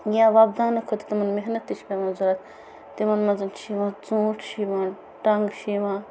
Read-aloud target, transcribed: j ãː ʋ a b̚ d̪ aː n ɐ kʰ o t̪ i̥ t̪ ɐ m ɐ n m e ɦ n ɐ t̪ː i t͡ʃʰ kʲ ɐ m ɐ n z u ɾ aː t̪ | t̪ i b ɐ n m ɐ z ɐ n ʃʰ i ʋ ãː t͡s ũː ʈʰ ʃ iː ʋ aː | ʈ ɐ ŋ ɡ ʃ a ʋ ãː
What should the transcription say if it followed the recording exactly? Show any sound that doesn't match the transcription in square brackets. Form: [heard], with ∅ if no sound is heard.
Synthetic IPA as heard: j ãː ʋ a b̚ d̪ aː n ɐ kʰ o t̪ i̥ t̪ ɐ m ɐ n m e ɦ n ɐ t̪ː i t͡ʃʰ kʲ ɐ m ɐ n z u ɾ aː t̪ | t̪ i [m] ɐ n m ɐ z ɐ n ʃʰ i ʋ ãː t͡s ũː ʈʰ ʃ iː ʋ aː | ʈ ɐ ŋ ɡ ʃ [i] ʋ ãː

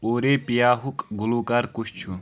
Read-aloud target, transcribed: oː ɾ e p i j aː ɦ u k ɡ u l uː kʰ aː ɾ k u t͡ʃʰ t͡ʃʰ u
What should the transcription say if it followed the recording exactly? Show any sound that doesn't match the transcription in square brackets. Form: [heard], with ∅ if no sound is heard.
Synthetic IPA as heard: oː ɾ e p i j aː ɦ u k ɡ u l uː [k] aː ɾ k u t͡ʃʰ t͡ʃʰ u

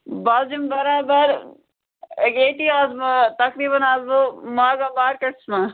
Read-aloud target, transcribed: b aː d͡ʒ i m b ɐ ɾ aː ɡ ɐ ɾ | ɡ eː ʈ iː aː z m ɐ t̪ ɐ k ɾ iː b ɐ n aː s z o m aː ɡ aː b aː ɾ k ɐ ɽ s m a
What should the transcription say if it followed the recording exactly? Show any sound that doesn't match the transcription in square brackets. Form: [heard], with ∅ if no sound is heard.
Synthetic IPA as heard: b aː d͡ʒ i m b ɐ ɾ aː [b] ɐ ɾ | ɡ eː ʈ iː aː z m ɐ t̪ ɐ k ɾ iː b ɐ n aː [∅] z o m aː ɡ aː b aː ɾ k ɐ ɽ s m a

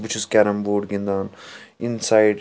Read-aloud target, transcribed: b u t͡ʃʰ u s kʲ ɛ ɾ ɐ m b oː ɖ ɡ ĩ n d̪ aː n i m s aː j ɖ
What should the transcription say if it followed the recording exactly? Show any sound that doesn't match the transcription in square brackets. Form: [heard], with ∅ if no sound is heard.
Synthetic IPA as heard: b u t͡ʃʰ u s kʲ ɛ ɾ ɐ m b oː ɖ ɡ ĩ n d̪ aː n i [n] s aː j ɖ

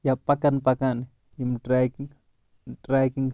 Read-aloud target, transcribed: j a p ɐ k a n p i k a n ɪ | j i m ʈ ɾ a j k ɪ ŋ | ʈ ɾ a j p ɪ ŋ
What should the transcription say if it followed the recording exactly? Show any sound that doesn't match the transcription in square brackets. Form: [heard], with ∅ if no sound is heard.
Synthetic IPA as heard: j a p [a] k a n p [a] k a n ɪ | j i m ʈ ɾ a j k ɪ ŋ | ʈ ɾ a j [k] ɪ ŋ

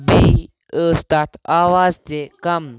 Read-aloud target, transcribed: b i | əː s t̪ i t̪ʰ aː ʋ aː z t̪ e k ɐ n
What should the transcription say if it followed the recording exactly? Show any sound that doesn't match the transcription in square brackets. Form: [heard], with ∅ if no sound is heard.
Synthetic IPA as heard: b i | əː s t̪ [a] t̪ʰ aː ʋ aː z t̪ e k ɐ [m]

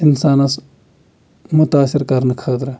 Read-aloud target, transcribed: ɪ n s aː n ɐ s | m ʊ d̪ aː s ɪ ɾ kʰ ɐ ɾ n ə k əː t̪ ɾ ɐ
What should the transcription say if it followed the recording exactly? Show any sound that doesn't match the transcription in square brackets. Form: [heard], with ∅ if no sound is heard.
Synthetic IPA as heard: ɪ n s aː n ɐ s | m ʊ [t̪] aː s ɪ ɾ [k] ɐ ɾ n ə [kʰ] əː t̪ ɾ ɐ

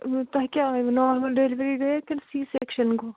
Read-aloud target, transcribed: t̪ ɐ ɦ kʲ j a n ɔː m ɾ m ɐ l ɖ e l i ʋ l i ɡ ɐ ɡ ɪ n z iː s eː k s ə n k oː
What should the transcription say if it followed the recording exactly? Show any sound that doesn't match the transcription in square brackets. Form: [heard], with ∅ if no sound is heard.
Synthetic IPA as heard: t̪ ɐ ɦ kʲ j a n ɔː [∅] ɾ m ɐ l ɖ e l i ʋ [ɾ] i ɡ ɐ [k] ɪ n [s] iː s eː k [ʃ] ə n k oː

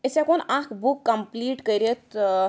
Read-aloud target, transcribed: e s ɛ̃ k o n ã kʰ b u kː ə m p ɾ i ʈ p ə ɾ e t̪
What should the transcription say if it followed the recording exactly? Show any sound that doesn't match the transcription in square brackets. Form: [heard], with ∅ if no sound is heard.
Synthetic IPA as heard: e s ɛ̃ k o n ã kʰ b u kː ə m p [l] i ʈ [k] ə ɾ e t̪

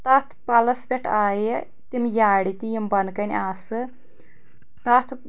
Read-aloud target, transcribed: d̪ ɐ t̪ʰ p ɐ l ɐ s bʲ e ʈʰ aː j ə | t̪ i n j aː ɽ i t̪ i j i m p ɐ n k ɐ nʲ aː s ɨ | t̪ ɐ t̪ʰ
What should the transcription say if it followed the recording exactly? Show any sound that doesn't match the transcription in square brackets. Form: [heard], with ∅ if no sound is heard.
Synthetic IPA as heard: [t̪] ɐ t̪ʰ p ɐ l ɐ s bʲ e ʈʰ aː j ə | t̪ i [m] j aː ɽ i t̪ i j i m [b] ɐ n k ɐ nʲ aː s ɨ | t̪ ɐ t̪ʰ

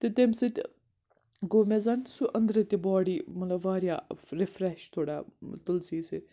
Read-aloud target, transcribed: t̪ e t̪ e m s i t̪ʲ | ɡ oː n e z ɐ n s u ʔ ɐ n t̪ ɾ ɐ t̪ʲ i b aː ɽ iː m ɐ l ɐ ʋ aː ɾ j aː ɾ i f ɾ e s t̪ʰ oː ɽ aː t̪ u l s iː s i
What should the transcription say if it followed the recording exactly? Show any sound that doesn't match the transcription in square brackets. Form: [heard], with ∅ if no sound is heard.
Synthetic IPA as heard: t̪ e t̪ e m s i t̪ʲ | ɡ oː [m] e z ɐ n s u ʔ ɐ n [d̪] ɾ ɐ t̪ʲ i b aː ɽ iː m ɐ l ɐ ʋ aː ɾ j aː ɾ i f ɾ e [ʃ] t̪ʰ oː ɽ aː t̪ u l s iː s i

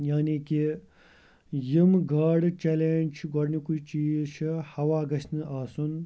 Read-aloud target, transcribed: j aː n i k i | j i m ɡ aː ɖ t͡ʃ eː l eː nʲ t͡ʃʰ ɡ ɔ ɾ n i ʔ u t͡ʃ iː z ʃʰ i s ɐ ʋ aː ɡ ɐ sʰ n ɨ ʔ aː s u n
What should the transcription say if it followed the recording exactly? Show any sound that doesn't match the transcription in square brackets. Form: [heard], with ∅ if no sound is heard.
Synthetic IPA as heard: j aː n i k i | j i m ɡ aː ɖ t͡ʃ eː l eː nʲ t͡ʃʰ ɡ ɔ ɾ n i [k] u t͡ʃ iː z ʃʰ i [h] ɐ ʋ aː ɡ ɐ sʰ n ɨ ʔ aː s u n

